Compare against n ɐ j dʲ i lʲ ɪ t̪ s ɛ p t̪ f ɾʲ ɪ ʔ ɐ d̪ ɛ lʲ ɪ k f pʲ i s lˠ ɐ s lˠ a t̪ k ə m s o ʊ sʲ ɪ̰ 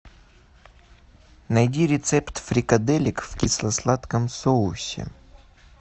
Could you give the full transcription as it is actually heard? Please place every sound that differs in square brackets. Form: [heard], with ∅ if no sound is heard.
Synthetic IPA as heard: n ɐ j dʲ i [ɾʲ] ɪ t̪ s ɛ p t̪ f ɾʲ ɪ [k] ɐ d̪ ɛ lʲ ɪ k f [kʲ] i s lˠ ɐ s lˠ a t̪ k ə m s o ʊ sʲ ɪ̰